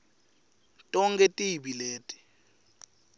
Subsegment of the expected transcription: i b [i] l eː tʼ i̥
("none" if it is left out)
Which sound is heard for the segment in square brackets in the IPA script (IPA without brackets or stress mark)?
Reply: i